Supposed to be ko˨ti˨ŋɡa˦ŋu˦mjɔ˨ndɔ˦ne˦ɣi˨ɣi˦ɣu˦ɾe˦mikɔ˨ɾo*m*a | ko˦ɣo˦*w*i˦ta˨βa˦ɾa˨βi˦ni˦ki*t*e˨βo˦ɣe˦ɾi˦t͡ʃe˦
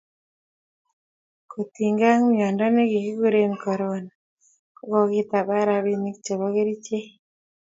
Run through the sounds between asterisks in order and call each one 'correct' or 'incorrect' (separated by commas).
incorrect, incorrect, incorrect